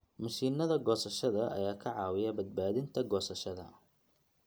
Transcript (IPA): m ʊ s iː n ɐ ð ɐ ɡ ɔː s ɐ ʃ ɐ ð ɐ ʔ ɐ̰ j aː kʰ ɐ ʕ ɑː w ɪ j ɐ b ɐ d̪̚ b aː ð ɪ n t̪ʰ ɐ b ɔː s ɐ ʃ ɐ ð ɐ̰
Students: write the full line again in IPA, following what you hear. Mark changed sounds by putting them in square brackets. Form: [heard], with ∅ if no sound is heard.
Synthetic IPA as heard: m ʊ s iː n ɐ ð ɐ ɡ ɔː s ɐ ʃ ɐ ð ɐ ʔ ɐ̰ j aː kʰ ɐ ʕ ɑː w ɪ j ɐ b ɐ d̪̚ b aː ð ɪ n t̪ʰ ɐ [ɡ] ɔː s ɐ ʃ ɐ ð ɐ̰